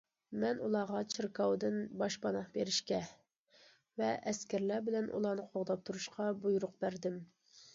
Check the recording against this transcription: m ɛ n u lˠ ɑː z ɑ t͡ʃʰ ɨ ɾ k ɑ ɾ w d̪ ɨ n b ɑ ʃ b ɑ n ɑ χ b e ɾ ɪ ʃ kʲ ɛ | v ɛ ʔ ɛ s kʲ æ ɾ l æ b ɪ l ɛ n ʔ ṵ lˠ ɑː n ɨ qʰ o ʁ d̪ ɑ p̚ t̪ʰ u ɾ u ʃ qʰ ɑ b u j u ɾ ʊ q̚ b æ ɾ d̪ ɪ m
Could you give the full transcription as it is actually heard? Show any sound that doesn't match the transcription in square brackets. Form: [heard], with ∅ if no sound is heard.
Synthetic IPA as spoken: m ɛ n u lˠ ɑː [ʁ] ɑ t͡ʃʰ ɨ ɾ k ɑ [∅] w d̪ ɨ n b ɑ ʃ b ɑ n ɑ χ b e ɾ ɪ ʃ kʲ ɛ | v ɛ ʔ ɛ s kʲ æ ɾ l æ b ɪ l ɛ n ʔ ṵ lˠ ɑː n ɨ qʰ o ʁ d̪ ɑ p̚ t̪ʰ u ɾ u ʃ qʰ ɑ b u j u ɾ ʊ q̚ b æ ɾ d̪ ɪ m